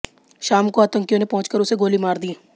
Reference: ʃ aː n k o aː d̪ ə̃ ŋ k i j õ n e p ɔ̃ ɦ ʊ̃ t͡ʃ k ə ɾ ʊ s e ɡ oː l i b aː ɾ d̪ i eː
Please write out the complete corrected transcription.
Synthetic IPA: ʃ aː m k o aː t̪ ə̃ ŋ k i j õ n e p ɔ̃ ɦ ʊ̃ t͡ʃ k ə ɾ ʊ s e ɡ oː l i m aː ɾ d̪ i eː